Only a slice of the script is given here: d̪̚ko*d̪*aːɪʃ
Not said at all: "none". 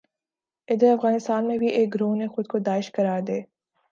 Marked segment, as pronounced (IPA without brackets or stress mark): d̪